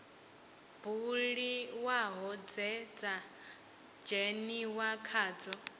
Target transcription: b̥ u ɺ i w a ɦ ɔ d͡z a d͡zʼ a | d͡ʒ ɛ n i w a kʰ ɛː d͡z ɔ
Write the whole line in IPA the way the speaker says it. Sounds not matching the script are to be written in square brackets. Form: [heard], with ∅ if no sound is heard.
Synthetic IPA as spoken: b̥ u ɺ i w a ɦ ɔ d͡z [ɛ] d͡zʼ a | d͡ʒ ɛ n i w a kʰ [aː] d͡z ɔ